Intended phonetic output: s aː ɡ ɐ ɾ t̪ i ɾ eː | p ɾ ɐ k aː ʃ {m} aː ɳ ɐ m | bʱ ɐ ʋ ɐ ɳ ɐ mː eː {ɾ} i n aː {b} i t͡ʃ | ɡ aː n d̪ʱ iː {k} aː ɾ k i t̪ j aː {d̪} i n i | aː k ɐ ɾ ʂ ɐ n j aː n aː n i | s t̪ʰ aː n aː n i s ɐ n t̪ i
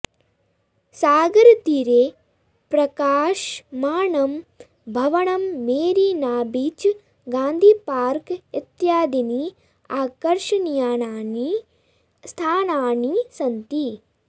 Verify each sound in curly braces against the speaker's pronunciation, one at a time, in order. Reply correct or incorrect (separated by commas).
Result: correct, correct, correct, incorrect, correct